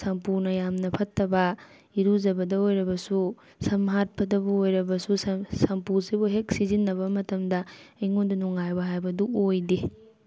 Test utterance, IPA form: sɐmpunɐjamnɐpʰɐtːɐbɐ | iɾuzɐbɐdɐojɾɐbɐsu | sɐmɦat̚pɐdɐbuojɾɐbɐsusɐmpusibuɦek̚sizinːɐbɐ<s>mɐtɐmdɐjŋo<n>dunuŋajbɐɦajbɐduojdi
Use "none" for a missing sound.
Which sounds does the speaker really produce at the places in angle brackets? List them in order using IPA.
none, n

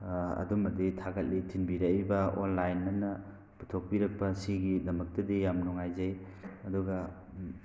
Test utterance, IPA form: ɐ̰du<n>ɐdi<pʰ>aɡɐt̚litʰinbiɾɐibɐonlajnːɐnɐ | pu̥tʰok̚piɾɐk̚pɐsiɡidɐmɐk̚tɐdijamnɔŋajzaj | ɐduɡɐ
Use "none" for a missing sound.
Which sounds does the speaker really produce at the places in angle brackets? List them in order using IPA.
m, tʰ

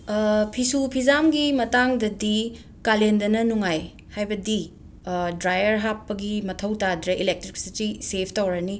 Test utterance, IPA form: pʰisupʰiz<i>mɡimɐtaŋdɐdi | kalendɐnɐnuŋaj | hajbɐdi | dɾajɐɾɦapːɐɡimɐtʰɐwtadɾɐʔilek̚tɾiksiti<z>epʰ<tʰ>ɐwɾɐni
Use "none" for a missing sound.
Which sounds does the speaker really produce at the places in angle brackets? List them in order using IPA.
a, s, t

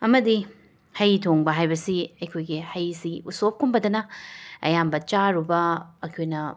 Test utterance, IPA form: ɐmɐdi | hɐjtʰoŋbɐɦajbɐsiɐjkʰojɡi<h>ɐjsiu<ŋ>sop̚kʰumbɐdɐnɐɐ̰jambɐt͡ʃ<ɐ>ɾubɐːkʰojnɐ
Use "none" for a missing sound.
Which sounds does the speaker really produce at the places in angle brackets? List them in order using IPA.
h, none, a

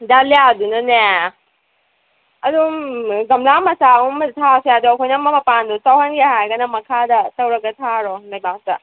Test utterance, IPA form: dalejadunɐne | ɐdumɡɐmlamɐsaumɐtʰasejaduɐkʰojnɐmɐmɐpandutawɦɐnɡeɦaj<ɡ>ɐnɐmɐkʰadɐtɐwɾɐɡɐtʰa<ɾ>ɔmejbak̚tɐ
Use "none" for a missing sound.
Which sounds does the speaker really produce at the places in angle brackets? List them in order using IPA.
ɡ, ɾ

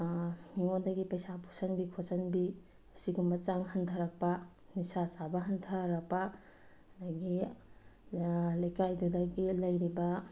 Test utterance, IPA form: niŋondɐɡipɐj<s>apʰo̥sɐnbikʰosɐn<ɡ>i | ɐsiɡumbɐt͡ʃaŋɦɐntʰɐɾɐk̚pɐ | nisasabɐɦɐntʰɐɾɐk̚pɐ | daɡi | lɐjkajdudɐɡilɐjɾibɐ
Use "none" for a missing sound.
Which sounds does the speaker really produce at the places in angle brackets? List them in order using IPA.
s, b

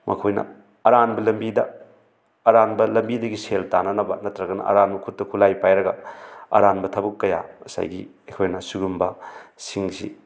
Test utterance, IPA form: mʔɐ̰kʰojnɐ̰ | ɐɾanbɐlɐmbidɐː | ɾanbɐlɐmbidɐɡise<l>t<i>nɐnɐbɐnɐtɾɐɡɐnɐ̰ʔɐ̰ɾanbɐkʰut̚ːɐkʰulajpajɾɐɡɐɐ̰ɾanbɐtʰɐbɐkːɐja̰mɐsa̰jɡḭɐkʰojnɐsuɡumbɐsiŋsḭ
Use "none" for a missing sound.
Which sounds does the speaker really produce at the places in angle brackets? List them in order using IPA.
l, a

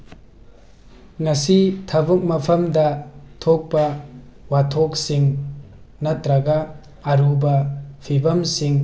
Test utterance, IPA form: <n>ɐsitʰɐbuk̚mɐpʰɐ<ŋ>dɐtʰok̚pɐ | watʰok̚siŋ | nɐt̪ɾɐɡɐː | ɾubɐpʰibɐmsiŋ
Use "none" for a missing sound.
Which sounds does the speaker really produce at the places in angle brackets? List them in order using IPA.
ŋ, m

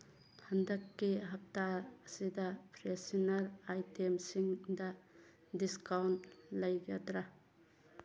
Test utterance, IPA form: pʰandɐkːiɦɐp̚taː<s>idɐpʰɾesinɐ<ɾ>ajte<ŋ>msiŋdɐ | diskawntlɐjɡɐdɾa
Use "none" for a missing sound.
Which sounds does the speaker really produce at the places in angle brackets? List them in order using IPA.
s, ɾ, none

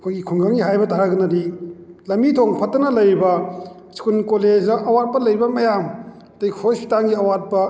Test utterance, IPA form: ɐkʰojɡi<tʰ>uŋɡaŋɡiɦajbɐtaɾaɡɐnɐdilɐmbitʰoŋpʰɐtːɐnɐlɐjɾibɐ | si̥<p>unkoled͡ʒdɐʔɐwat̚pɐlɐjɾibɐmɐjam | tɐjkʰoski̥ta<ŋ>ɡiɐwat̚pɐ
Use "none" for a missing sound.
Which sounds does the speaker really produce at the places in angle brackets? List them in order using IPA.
kʰ, k, ŋ

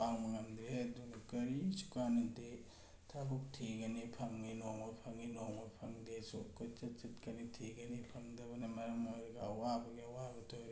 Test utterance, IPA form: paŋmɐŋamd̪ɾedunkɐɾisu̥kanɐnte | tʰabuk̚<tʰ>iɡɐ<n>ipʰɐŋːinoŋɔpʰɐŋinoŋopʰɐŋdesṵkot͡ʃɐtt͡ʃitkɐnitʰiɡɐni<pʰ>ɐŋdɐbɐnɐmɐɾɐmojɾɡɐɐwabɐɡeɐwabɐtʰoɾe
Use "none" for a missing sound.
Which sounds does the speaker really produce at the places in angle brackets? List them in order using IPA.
tʰ, n, pʰ

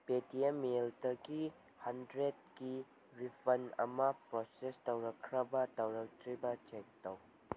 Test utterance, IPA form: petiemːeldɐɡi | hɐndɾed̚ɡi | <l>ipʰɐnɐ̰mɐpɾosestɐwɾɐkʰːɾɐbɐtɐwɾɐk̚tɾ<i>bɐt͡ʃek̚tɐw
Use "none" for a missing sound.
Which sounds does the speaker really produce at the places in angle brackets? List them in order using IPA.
ɾ, i

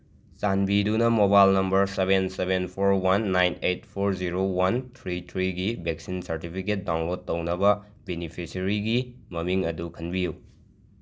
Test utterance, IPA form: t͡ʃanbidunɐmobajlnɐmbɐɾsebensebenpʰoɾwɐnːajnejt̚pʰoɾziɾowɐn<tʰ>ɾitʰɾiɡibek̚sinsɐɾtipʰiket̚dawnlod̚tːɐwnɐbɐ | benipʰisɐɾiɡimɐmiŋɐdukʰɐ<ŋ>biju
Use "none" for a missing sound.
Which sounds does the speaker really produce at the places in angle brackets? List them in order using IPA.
tʰ, n

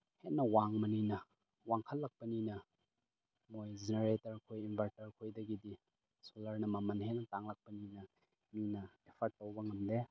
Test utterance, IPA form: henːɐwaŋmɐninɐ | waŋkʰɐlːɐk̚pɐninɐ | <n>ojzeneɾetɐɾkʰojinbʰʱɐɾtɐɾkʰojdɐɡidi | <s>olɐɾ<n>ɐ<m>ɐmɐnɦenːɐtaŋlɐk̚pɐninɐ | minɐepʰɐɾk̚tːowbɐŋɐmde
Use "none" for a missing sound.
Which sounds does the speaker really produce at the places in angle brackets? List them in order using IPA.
m, s, n, m

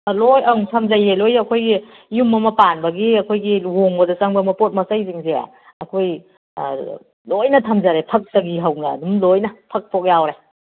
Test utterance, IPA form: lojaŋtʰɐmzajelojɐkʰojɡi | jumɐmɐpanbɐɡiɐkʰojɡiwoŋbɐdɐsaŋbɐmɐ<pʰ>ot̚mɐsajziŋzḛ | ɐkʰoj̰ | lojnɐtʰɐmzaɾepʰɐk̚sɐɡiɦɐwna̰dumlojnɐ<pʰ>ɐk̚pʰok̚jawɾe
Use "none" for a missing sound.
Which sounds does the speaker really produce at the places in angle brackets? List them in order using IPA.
p, pʰ

